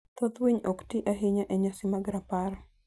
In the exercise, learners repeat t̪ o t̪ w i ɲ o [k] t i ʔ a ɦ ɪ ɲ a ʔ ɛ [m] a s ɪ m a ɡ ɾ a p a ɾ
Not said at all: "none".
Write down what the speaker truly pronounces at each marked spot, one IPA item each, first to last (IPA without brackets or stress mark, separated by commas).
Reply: k, ɲ